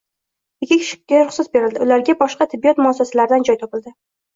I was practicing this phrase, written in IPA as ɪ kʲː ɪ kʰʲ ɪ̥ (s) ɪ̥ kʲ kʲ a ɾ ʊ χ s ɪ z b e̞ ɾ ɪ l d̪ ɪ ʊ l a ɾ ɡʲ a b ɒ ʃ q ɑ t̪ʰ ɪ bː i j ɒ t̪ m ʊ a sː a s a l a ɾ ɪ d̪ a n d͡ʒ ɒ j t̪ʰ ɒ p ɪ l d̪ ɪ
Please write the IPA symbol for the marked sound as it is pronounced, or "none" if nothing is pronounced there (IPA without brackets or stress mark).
ʃ